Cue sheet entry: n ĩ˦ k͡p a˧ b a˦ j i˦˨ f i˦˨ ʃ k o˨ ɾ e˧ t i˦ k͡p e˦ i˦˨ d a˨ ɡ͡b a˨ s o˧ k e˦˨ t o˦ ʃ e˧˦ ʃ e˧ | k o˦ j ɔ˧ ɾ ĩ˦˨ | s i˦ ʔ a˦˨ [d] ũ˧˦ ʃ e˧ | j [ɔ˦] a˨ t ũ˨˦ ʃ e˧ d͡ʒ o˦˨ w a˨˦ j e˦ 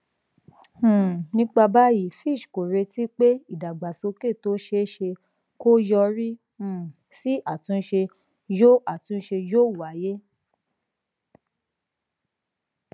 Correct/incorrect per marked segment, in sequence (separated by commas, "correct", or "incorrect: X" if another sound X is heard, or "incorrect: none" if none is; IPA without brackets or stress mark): incorrect: t, incorrect: o˦